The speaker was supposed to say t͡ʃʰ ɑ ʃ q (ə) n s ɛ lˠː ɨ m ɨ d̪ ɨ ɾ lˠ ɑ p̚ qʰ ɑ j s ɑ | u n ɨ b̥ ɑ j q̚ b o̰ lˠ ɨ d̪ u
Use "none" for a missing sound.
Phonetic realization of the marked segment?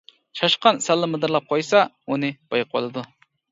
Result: ɑ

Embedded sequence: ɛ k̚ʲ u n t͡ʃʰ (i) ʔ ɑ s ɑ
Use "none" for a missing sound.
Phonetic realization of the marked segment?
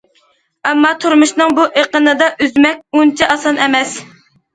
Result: ɛ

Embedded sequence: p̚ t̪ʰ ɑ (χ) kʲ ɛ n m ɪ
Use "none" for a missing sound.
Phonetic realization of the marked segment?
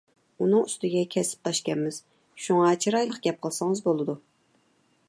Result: ʃ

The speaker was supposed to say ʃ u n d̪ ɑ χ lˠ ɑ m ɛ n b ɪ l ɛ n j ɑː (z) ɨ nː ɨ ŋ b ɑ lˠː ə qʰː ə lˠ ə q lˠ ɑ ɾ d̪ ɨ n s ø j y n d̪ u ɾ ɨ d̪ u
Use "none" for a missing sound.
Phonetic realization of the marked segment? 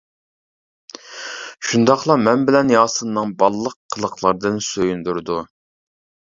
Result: s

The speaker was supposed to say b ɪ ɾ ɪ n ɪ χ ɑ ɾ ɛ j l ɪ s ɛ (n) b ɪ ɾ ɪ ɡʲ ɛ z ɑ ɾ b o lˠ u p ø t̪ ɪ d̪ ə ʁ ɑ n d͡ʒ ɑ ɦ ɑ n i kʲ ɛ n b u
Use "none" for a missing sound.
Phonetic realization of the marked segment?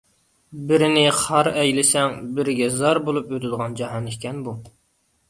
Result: ŋ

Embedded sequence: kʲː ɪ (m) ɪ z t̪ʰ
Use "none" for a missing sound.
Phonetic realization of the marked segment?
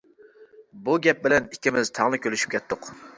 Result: m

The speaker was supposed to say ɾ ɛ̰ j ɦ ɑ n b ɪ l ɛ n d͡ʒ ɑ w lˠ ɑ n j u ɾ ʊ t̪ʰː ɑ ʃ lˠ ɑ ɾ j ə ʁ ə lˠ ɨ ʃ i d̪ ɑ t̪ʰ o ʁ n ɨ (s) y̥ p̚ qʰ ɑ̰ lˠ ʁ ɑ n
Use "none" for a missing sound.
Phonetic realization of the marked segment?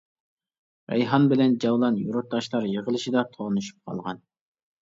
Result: ʃ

